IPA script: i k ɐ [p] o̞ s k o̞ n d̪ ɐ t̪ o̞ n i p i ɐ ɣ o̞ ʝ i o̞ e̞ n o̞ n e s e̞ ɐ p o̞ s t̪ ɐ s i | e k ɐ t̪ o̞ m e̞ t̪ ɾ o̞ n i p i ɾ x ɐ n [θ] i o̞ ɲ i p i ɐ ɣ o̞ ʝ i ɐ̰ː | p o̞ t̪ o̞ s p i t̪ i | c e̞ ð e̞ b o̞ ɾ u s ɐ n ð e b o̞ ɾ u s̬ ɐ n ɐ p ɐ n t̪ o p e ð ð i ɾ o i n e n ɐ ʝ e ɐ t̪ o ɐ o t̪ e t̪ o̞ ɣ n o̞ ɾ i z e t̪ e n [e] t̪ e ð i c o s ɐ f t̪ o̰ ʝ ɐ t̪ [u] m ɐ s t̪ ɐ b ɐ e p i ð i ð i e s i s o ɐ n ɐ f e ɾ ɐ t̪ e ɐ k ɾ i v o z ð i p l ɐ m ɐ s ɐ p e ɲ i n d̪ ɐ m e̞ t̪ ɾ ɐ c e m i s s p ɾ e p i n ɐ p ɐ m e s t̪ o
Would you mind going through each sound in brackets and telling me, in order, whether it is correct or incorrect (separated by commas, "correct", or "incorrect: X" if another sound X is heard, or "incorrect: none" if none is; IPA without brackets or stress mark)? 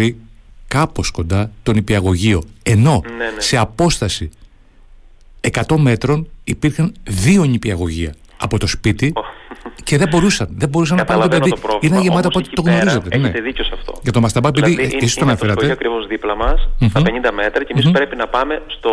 correct, incorrect: ð, correct, incorrect: o